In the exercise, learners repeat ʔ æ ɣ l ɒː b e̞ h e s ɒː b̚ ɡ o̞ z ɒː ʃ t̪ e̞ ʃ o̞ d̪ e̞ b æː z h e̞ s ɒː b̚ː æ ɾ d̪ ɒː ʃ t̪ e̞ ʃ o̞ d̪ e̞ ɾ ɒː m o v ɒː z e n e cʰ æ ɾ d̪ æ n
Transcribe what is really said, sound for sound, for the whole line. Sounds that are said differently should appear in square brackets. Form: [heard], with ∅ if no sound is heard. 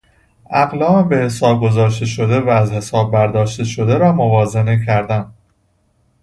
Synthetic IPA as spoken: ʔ æ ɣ l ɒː b e̞ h e s ɒː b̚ ɡ o̞ z ɒː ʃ t̪ e̞ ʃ o̞ d̪ e̞ [v] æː z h e̞ s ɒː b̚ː æ ɾ d̪ ɒː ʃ t̪ e̞ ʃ o̞ d̪ e̞ ɾ ɒː m o v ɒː z e n e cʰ æ ɾ d̪ æ n